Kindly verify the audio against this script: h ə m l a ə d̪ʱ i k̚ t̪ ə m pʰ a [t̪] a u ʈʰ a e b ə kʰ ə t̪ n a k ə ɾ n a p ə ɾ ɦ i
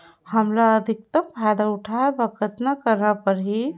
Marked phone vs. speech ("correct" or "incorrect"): incorrect